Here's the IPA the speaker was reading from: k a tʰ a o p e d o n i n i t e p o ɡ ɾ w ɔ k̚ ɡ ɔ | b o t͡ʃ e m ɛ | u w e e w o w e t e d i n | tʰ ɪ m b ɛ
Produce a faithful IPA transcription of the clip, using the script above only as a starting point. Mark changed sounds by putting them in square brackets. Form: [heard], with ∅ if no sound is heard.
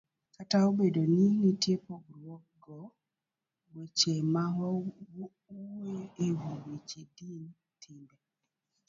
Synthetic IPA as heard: k a [t] a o [b] e d o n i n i t e p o ɡ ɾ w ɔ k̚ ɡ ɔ | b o t͡ʃ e m [a] | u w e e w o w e [t͡ʃ] e d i n | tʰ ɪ m b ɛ

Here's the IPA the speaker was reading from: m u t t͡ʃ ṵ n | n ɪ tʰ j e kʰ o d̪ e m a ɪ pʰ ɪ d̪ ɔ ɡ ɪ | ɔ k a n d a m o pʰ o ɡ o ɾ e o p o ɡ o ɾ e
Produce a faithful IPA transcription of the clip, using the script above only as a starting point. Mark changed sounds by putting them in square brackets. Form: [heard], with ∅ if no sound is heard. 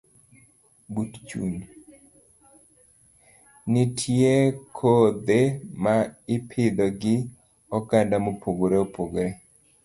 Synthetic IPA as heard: [b] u t t͡ʃ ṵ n | n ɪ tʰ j e kʰ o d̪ e m a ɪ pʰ ɪ d̪ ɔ ɡ ɪ | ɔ k a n d a m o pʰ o ɡ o ɾ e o p o ɡ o ɾ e

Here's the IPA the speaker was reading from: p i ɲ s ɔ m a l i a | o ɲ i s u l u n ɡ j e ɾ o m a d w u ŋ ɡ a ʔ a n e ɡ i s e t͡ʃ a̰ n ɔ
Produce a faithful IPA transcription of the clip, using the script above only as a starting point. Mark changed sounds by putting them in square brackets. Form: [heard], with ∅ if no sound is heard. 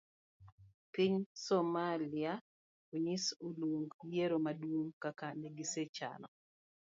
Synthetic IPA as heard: p i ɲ s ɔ m a l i a | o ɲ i s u l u [ŋ] ɡ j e ɾ o m a d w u ŋ [k] a [k] a n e ɡ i s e t͡ʃ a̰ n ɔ

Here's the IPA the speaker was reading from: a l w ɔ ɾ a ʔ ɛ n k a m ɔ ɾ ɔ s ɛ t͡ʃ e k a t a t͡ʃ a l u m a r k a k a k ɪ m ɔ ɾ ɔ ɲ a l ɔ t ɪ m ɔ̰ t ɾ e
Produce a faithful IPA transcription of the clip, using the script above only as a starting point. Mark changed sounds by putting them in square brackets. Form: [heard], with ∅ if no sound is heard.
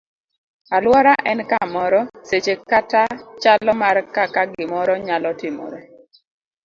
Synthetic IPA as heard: a l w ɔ ɾ a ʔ ɛ n k a m ɔ ɾ ɔ s [e] t͡ʃ e k a t a t͡ʃ a l [ɔ] m a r k a k a [ɡ] ɪ m ɔ ɾ ɔ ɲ a l ɔ t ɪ m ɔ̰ [∅] ɾ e

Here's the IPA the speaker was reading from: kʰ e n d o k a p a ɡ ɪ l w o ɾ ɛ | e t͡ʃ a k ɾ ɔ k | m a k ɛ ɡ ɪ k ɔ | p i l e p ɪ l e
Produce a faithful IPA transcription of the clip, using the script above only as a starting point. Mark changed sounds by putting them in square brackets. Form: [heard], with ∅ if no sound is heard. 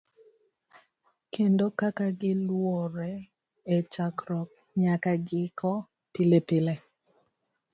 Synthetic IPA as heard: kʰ e n d o k a [k] a ɡ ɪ l w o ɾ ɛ | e t͡ʃ a k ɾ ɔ k | [ɲ] a k [a] ɡ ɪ k ɔ | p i l e p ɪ l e

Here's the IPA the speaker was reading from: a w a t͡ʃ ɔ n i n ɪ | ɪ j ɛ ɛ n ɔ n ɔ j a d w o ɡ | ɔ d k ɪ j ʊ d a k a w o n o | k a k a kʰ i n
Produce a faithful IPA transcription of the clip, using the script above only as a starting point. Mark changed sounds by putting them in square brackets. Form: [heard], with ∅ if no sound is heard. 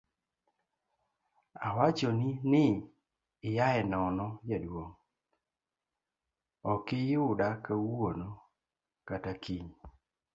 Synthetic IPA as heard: a w a t͡ʃ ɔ n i n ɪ | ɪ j [a] ɛ n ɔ n ɔ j a d w o [ŋ] | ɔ [∅] k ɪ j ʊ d a k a w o n o | k a [t] a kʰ i [ɲ]

